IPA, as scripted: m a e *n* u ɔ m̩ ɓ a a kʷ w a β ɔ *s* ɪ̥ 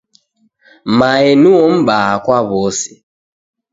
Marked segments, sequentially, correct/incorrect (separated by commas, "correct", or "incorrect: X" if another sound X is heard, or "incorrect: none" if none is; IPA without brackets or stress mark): correct, correct